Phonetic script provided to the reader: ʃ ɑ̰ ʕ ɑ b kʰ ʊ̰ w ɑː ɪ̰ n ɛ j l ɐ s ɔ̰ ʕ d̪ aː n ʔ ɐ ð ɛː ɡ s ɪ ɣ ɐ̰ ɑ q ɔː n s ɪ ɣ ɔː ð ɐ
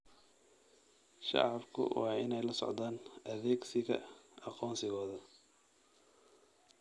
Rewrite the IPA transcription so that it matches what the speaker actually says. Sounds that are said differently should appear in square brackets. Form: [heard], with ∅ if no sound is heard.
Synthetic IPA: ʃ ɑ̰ ʕ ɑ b kʰ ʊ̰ w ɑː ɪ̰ n ɛ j l ɐ s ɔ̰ ʕ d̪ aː n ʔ ɐ ð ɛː ɡ s ɪ ɣ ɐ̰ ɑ q ɔː n s ɪ ɣ ɔː ð ɐ